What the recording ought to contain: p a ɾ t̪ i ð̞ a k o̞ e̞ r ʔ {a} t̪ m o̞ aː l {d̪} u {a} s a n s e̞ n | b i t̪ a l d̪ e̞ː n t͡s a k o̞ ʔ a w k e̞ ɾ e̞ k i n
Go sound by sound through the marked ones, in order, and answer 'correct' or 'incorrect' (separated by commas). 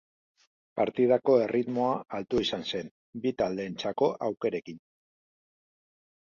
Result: incorrect, incorrect, incorrect